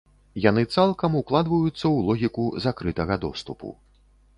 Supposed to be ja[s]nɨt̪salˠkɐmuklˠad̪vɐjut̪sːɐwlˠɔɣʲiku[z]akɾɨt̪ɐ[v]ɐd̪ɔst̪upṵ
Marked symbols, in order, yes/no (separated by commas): no, yes, no